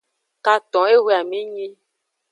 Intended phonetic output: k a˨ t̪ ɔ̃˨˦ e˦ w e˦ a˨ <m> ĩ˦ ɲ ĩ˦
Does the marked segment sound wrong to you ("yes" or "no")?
no